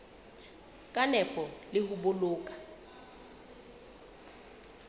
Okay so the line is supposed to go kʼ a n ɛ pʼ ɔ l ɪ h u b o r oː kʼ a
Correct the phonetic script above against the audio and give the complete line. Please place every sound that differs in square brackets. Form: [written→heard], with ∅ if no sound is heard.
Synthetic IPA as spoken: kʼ a n ɛ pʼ ɔ l ɪ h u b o [r→l] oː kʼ a